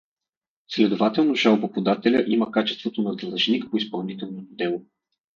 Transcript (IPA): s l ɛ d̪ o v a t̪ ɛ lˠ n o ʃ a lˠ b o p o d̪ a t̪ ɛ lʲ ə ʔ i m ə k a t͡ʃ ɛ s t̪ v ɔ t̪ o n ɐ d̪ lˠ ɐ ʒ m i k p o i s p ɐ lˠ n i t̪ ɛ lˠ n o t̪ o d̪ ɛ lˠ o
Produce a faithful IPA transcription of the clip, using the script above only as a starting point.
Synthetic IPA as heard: s l ɛ d̪ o v a t̪ ɛ lˠ n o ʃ a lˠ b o p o d̪ a t̪ ɛ lʲ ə ʔ i m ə k a t͡ʃ ɛ s t̪ v o t̪ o n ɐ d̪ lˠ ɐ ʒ n i k p o i s p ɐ lˠ n i t̪ ɛ lˠ n o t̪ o d̪ ɛ lˠ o